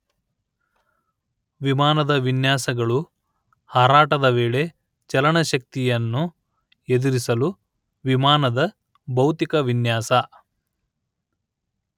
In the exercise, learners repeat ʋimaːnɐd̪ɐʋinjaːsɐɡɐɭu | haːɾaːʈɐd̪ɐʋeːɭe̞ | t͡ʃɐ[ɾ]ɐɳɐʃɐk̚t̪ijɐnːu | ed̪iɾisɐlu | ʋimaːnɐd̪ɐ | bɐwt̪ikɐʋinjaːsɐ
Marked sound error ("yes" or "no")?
yes